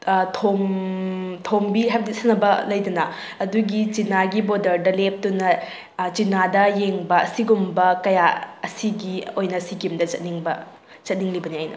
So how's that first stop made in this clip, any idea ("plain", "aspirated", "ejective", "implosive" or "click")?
aspirated